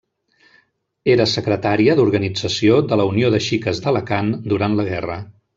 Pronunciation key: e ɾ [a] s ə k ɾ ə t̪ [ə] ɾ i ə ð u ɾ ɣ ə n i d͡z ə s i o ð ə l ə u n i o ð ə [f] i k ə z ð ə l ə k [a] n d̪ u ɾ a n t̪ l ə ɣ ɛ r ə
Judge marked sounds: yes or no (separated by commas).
no, no, no, yes